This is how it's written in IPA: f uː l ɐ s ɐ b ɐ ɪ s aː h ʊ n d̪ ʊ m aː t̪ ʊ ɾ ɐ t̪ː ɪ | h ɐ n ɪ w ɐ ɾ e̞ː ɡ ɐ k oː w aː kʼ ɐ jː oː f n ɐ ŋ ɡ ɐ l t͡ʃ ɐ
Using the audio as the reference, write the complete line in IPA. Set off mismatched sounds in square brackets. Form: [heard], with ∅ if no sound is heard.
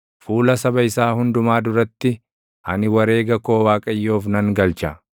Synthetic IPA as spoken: f uː l ɐ s ɐ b ɐ ɪ s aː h ʊ n d̪ ʊ m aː [d̪] ʊ ɾ ɐ t̪ː ɪ | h ɐ n ɪ w ɐ ɾ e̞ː ɡ ɐ k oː w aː kʼ ɐ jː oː f n ɐ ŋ ɡ ɐ l t͡ʃ ɐ